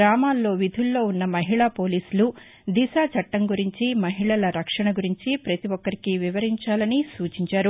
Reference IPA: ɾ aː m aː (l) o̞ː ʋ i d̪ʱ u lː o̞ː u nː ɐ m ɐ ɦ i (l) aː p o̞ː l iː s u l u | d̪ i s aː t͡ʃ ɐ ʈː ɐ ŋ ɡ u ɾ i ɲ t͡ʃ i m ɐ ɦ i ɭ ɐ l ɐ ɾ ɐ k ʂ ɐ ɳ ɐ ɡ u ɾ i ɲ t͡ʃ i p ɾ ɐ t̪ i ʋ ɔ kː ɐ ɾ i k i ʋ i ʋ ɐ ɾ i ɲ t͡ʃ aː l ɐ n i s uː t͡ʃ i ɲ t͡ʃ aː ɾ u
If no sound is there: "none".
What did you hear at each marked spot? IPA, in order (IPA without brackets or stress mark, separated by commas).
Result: lː, ɭ